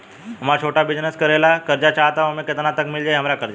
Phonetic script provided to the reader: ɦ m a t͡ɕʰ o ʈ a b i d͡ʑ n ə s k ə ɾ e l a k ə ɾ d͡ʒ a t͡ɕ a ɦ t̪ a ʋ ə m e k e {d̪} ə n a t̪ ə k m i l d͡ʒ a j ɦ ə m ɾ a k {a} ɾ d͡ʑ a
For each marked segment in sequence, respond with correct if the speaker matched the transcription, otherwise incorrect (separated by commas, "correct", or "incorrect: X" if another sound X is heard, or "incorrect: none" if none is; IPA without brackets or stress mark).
incorrect: t̪, incorrect: ə